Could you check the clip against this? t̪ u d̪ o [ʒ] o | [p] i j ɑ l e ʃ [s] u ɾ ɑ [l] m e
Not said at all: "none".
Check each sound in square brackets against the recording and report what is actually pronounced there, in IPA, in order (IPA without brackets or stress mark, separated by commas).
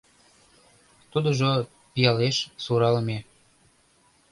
ʒ, p, s, l